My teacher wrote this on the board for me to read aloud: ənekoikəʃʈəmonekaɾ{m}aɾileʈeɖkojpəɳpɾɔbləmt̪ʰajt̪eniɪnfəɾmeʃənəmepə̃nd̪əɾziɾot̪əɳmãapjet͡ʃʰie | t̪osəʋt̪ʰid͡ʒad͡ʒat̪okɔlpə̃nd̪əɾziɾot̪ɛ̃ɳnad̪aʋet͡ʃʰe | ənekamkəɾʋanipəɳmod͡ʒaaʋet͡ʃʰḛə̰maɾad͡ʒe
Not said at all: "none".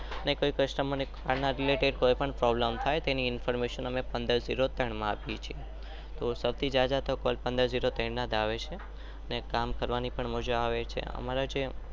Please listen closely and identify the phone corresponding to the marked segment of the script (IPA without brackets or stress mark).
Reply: n